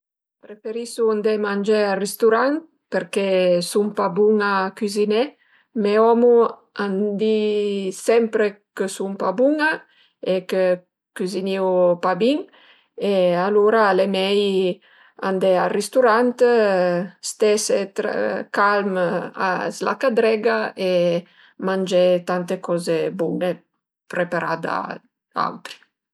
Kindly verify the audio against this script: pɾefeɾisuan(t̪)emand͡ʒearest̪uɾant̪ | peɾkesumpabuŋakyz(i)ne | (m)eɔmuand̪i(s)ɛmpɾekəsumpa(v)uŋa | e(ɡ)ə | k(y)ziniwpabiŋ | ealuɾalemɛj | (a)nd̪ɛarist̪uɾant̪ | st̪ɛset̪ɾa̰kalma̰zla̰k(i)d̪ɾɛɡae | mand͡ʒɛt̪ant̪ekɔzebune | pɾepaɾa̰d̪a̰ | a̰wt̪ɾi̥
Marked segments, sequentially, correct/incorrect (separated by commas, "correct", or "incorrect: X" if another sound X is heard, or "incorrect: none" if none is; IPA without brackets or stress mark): incorrect: d̪, correct, correct, correct, incorrect: b, incorrect: k, correct, correct, incorrect: a